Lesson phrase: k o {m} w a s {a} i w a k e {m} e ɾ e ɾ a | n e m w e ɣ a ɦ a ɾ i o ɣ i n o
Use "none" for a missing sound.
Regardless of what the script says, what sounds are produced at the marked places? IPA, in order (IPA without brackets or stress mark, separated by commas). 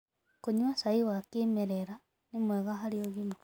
ɲ, a, m